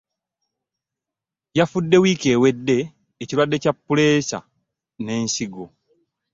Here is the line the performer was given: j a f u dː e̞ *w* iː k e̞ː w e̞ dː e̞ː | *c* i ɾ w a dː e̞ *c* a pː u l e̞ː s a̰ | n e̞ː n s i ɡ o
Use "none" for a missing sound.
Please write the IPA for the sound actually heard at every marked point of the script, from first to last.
w, c, c

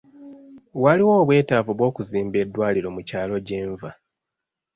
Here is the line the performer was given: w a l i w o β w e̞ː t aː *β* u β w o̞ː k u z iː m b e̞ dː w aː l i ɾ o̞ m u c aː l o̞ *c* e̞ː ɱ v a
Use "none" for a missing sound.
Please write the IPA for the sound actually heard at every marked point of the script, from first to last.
v, ɟ

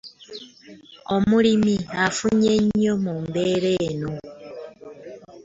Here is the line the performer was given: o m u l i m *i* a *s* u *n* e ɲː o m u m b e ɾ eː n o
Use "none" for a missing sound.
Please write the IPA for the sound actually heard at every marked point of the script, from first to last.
i, f, ɲ

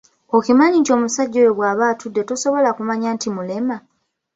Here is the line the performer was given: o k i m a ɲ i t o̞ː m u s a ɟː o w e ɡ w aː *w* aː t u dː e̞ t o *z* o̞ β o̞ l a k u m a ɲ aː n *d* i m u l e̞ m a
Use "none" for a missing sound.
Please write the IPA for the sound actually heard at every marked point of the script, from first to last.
β, s, t

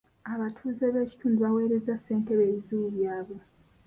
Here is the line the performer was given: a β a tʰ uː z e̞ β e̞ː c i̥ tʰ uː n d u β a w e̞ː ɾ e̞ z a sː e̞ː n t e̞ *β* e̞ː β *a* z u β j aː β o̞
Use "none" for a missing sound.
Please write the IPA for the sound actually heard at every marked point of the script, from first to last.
β, i

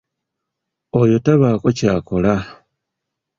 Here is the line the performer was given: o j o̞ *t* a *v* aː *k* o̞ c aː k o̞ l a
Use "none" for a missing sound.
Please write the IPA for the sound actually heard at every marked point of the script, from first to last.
t, β, k

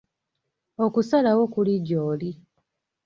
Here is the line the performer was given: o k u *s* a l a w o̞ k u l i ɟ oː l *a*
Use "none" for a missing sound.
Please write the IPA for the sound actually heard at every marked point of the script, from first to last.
s, i

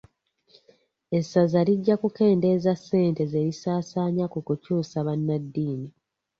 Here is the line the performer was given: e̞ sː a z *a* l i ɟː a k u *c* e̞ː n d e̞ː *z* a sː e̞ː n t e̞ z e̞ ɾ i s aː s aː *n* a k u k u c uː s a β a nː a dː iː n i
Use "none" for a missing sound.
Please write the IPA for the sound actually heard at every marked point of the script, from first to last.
a, k, z, ɲ

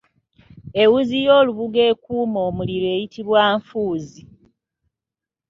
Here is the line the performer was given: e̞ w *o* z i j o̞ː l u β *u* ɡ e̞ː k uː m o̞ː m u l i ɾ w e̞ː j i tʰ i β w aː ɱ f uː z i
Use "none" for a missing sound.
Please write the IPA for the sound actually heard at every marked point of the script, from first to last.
u, u

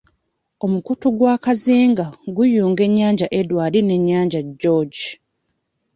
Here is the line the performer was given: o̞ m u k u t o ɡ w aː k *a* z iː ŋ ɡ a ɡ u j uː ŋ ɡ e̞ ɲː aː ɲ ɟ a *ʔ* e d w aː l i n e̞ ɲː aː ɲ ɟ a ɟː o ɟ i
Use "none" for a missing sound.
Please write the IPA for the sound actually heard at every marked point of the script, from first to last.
a, ʔ

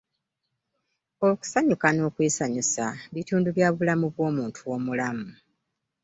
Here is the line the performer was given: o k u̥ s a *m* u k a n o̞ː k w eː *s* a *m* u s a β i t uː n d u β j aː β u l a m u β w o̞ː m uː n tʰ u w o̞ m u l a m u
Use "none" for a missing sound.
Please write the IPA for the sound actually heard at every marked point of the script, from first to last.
ɲ, s, ɲ

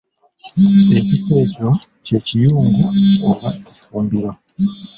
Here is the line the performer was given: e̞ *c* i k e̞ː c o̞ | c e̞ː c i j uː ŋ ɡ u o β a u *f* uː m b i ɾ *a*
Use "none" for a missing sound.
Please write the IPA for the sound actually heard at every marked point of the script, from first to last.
c, f, a

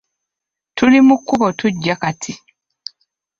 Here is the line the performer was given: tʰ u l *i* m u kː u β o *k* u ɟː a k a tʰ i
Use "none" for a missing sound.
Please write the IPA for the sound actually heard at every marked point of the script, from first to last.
i, t

